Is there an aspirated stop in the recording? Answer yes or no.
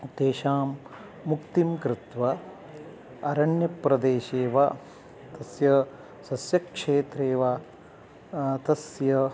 no